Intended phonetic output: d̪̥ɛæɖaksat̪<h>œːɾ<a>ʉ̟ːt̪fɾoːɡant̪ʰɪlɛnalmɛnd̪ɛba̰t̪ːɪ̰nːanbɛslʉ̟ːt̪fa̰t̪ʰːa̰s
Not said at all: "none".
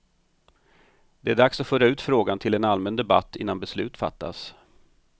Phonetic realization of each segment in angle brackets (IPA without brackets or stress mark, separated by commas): f, a